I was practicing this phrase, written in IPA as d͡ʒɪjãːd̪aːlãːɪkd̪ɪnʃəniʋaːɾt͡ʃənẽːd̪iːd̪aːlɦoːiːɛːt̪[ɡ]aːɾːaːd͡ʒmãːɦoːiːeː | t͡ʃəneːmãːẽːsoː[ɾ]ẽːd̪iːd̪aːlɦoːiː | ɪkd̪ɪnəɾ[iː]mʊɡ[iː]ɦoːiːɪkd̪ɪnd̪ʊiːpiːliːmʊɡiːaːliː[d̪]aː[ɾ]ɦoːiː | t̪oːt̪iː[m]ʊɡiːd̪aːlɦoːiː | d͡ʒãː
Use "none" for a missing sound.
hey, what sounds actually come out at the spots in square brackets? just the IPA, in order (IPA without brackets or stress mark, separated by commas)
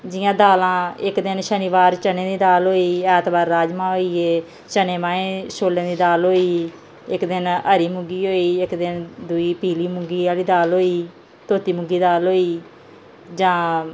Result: b, l, iː, iː, d̪, l, m